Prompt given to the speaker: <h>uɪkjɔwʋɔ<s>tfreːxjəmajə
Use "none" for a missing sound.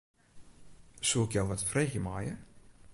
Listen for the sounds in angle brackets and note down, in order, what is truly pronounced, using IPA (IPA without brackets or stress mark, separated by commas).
s, none